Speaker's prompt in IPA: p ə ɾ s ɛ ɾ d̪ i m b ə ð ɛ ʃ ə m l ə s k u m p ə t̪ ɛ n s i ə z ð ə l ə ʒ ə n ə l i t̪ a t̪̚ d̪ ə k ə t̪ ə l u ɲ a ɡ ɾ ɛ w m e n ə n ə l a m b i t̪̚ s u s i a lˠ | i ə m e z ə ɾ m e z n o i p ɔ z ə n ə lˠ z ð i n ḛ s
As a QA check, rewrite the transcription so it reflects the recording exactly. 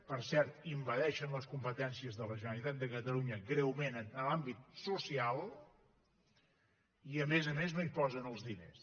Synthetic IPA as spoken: p ə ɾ s ɛ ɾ t̪ i m b ə ð ɛ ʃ ə n l ə s k u m p ə t̪ ɛ n s i ə z ð ə l ə ʒ ə n ə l i t̪ a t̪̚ d̪ ə k ə t̪ ə l u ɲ ə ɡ ɾ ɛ w m e n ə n ə l a m b i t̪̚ s u s i a lˠ | i ə m e z ə m e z n o i p ɔ z ə n ə lˠ z ð i n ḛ s